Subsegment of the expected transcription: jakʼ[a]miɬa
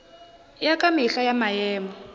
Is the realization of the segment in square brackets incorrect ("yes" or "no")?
no